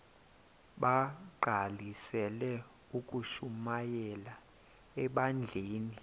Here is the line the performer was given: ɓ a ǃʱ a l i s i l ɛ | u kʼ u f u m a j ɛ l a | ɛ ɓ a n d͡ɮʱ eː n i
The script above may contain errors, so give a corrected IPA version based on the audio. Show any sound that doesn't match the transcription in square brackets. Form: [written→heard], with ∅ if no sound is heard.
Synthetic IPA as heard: ɓ a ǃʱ a l i s [i→ɛ] l ɛ | u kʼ u [f→ʃ] u m a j ɛ l a | ɛ ɓ a n d͡ɮʱ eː n i